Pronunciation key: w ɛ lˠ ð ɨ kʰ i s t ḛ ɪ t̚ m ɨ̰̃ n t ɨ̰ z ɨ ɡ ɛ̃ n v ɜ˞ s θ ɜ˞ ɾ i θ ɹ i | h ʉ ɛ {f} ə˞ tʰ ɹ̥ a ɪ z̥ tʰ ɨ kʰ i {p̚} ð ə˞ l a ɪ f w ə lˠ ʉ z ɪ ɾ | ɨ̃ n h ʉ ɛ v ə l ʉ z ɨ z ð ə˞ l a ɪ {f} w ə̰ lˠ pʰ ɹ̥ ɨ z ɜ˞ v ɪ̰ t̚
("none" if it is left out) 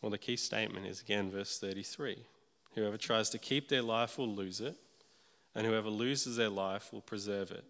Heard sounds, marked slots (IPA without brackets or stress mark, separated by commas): v, p̚, f